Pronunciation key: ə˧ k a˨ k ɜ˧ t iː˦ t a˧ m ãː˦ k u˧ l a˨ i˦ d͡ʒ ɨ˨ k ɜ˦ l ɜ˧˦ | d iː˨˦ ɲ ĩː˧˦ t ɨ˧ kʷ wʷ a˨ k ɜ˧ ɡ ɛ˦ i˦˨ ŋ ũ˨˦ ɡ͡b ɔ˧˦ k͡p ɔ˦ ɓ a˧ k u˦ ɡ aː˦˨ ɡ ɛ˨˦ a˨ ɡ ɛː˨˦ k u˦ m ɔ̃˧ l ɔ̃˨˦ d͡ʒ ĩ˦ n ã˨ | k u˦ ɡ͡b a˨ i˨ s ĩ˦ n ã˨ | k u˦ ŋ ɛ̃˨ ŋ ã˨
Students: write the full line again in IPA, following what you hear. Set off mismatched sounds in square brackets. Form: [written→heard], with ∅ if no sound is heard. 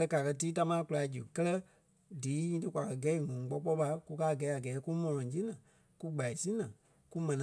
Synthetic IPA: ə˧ k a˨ k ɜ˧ t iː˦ t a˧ m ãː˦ k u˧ l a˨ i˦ d͡ʒ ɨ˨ k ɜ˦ l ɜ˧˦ | d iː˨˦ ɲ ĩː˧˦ t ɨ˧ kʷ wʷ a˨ k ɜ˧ ɡ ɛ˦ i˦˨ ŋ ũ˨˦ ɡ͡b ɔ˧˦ k͡p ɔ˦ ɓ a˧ k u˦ [ɡ→k] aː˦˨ ɡ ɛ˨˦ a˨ ɡ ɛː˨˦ k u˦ m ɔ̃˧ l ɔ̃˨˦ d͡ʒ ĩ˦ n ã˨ | k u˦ ɡ͡b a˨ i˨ s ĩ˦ n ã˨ | k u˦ [ŋ→m] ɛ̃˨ [ŋ→n] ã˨